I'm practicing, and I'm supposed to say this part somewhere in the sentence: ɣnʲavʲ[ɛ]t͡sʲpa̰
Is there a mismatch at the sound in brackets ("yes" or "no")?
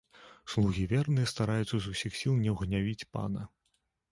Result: yes